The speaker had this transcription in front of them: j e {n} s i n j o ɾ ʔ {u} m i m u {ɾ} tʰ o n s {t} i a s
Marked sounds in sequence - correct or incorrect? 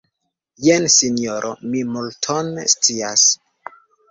correct, incorrect: o, incorrect: l, incorrect: t͡s

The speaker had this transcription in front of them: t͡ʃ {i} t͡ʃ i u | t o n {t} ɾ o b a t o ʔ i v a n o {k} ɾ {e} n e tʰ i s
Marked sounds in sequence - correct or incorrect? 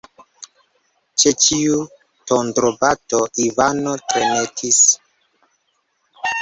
incorrect: e, incorrect: d, incorrect: t, correct

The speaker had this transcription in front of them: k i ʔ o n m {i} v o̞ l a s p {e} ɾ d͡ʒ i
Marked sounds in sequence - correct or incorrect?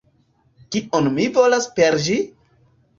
correct, correct

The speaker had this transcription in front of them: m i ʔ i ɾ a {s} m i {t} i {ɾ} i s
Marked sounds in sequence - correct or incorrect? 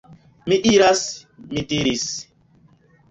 correct, correct, correct

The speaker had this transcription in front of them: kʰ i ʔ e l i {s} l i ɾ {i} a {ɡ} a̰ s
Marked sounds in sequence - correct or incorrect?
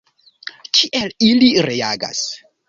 incorrect: none, incorrect: e, correct

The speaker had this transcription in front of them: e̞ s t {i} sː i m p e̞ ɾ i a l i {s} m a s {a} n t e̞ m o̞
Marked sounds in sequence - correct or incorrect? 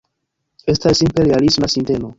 incorrect: a, correct, incorrect: i

